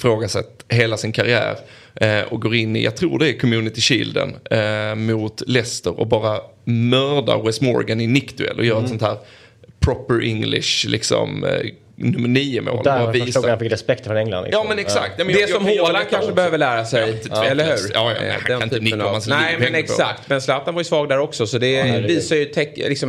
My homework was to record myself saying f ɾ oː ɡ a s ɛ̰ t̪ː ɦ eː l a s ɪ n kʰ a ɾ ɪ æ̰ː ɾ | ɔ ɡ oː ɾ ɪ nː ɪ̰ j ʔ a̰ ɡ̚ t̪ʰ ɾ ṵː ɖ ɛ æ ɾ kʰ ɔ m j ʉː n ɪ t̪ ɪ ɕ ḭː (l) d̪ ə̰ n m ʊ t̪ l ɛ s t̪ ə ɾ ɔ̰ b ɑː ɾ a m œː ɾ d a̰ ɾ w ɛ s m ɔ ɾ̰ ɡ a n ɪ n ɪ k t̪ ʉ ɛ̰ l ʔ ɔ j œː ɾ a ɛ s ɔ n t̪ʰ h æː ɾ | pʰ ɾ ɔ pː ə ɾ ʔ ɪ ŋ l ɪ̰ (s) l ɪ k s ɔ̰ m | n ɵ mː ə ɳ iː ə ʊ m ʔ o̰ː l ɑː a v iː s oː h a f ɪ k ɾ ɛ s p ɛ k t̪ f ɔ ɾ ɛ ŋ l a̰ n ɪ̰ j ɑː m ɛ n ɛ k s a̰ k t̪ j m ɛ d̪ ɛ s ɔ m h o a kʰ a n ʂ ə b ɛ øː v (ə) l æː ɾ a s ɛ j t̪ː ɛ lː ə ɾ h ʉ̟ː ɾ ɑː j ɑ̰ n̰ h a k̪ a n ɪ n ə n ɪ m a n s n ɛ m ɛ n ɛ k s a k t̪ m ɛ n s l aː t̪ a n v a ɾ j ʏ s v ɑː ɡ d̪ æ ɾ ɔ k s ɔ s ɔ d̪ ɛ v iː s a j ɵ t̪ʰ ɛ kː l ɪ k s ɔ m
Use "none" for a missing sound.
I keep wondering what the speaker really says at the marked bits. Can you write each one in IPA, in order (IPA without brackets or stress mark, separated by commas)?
l, ʂ, ə